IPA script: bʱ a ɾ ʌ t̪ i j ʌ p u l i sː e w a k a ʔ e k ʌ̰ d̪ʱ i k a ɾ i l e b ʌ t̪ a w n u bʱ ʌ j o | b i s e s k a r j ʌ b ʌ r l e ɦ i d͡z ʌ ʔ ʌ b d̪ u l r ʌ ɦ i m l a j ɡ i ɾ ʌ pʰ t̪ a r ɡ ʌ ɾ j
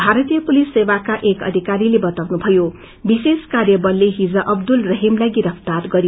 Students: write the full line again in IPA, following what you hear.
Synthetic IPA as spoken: bʱ a ɾ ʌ t̪ i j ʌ p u l i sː e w a k a ʔ e k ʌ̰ d̪ʱ i k a ɾ i l e b ʌ t̪ a w n u bʱ ʌ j o | b i s e s k a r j ʌ b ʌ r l e ɦ i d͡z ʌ ʔ ʌ b d̪ u l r ʌ ɦ i m l a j ɡ i ɾ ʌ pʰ t̪ a r ɡ ʌ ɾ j